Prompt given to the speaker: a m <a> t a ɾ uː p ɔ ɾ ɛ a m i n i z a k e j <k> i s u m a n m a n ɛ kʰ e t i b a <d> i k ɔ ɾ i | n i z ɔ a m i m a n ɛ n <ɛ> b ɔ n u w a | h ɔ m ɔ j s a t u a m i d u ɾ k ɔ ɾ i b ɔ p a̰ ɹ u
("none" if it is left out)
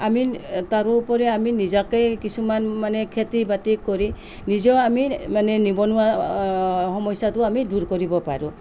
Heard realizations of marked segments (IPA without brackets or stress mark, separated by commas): i, k, t, i